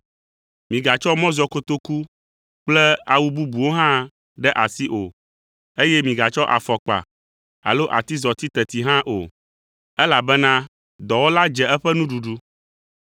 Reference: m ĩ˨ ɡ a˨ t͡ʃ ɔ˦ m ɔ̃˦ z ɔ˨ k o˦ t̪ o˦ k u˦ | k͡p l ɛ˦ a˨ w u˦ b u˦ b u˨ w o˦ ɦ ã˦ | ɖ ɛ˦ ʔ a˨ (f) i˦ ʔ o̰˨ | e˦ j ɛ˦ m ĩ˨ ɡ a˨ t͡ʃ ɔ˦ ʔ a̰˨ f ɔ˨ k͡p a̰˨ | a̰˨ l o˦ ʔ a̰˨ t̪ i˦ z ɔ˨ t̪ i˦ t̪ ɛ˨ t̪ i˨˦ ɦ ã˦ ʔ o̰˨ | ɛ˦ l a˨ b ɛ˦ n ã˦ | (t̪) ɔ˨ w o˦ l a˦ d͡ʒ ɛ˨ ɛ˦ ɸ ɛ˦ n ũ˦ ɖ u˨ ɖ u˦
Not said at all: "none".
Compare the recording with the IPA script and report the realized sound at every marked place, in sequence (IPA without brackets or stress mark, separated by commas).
s, d̪